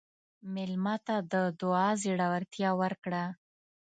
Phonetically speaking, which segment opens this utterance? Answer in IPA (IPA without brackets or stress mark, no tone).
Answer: m